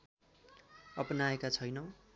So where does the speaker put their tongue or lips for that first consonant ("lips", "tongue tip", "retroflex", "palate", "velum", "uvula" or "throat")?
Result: lips